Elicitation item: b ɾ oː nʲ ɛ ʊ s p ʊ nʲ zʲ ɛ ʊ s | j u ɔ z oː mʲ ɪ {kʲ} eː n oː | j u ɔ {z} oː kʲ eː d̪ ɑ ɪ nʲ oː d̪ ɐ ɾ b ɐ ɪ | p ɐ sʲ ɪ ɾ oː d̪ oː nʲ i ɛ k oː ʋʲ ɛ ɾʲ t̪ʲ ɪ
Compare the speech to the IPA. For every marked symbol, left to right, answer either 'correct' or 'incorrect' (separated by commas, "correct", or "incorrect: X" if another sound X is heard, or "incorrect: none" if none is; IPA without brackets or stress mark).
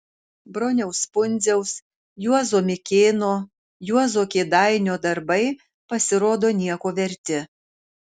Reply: correct, correct